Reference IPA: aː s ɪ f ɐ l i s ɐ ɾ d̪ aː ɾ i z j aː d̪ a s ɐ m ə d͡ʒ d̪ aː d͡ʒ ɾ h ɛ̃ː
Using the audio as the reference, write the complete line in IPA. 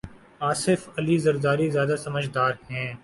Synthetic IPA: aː s ɪ f ɐ l i z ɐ ɾ d̪ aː ɾ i z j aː d̪ a s ɐ m ə d͡ʒ d̪ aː ɾ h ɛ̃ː